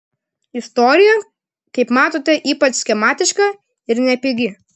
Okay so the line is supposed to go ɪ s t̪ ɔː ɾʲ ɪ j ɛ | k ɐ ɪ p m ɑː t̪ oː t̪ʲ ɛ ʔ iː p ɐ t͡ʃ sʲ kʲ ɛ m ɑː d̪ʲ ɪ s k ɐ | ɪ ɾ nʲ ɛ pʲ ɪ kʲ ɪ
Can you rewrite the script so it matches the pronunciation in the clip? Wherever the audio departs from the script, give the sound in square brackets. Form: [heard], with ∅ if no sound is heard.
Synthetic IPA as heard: ɪ s t̪ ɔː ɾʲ ɪ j ɛ | k ɐ ɪ p m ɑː t̪ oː t̪ʲ ɛ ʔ iː p ɐ t͡ʃ sʲ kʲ ɛ m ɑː [t̪ʲ] ɪ [ʃ] k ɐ | ɪ ɾ nʲ ɛ pʲ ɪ [ɡʲ] ɪ